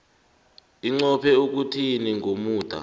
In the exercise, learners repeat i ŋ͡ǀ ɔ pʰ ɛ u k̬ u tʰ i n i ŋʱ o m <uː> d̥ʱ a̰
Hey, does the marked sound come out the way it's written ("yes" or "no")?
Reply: yes